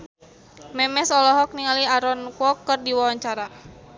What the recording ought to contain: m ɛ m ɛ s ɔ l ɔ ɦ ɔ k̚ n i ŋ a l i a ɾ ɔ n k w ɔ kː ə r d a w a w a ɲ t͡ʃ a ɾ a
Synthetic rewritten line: m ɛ m ɛ s ɔ l ɔ ɦ ɔ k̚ n i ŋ a l i a ɾ ɔ n k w ɔ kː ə r d i w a w a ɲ t͡ʃ a ɾ a